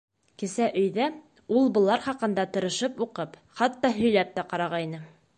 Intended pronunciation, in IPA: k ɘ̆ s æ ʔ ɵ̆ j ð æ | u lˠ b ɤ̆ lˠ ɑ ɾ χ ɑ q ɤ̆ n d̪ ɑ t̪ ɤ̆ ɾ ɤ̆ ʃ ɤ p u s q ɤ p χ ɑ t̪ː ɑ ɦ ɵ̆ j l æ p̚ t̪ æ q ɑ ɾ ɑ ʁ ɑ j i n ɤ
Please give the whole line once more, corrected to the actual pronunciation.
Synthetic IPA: k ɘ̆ s æ ʔ ɵ̆ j ð æ | u lˠ b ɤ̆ lˠ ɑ ɾ χ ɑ q ɤ̆ n d̪ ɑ t̪ ɤ̆ ɾ ɤ̆ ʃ ɤ p u q ɤ p χ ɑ t̪ː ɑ ɦ ɵ̆ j l æ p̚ t̪ æ q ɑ ɾ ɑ ʁ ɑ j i n ɤ